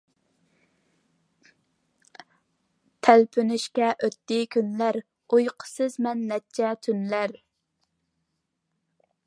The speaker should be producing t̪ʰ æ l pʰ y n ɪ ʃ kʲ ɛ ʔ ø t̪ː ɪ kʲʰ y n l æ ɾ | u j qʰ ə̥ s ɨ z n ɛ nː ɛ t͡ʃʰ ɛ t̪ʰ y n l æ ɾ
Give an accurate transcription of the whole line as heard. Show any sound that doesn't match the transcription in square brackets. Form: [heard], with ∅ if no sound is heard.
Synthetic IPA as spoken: t̪ʰ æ l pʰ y n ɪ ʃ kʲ ɛ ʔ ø t̪ː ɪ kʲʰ y n l æ ɾ | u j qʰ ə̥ s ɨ z [m] ɛ nː ɛ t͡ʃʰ ɛ t̪ʰ y n l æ ɾ

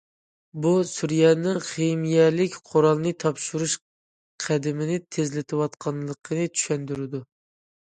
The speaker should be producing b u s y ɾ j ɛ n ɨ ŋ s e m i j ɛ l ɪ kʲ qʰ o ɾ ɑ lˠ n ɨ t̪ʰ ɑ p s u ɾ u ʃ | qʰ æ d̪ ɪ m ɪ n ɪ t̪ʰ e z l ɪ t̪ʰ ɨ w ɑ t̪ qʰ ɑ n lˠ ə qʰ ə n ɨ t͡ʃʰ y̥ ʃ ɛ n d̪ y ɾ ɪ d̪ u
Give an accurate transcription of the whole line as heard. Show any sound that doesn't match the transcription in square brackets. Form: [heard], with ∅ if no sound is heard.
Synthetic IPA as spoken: b u s y ɾ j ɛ n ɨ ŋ [χ] e m i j ɛ l ɪ kʲ qʰ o ɾ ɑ lˠ n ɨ t̪ʰ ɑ p [ʃ] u ɾ u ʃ | qʰ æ d̪ ɪ m ɪ n ɪ t̪ʰ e z l ɪ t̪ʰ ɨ w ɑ t̪ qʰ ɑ n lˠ ə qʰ ə n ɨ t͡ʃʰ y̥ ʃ ɛ n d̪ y ɾ ɪ d̪ u

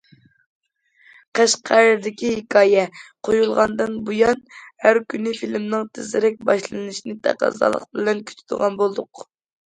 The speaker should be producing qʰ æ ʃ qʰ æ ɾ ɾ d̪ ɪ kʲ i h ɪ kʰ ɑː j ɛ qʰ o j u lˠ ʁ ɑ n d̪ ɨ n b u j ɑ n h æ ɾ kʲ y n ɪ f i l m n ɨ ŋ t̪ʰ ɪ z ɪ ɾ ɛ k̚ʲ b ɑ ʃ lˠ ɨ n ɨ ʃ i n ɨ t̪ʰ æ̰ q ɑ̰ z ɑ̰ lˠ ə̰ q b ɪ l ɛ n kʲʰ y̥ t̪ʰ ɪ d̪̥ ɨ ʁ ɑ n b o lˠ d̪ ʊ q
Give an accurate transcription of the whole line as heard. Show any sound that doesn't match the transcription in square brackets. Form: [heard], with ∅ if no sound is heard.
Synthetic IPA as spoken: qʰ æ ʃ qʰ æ ɾ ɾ d̪ ɪ kʲ i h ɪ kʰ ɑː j ɛ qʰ o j u lˠ ʁ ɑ n d̪ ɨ n b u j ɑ n h æ ɾ kʲ y n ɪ f i l m n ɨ ŋ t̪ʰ ɪ z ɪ ɾ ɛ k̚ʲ b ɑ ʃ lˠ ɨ n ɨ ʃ i n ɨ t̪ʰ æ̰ q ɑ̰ z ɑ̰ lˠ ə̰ q b ɪ l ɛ n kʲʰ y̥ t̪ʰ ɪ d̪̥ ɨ ʁ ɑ n b o lˠ d̪ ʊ q

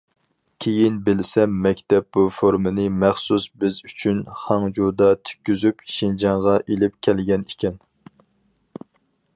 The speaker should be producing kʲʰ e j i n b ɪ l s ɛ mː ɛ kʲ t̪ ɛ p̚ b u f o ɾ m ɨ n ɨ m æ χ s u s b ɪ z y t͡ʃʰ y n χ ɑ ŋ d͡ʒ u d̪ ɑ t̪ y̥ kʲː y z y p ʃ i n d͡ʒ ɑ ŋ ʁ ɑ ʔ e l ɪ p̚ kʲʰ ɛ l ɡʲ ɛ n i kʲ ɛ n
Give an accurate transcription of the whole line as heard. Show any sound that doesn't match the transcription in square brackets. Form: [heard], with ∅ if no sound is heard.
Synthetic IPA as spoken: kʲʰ e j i n b ɪ l s ɛ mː ɛ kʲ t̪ ɛ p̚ b u f o ɾ m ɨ n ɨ m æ χ s u s b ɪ z y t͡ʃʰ y n χ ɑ ŋ d͡ʒ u d̪ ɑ [t̪ʰ] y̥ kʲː y z y p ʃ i n d͡ʒ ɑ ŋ ʁ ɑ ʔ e l ɪ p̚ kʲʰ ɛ l ɡʲ ɛ n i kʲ ɛ n

